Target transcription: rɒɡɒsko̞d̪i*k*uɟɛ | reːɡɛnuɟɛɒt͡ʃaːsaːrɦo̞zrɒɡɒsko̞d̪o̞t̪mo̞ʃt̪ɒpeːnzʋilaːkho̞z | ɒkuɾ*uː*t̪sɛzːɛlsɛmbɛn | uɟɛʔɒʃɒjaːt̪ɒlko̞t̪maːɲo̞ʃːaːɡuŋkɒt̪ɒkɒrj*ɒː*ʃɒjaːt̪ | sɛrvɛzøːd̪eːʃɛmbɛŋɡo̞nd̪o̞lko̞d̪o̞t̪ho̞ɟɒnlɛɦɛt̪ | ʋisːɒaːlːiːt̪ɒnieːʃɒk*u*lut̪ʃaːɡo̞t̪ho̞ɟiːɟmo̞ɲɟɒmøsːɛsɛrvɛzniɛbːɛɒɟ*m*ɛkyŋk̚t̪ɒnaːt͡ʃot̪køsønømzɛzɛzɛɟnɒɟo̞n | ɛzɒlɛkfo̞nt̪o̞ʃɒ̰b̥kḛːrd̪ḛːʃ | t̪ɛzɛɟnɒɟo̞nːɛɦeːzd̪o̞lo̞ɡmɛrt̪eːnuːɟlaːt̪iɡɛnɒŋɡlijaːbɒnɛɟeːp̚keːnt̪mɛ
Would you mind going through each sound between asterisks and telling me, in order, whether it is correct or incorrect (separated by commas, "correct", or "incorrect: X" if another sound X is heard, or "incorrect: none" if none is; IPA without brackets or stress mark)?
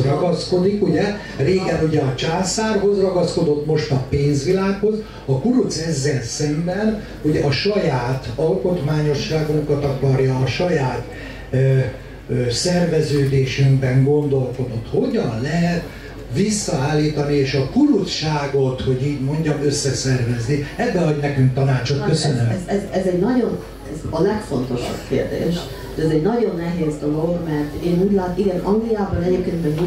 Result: correct, incorrect: u, correct, correct, incorrect: n